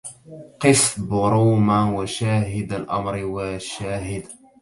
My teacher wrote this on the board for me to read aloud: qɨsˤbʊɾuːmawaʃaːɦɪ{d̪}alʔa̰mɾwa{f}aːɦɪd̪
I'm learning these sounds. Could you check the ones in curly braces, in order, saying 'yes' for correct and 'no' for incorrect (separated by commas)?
yes, no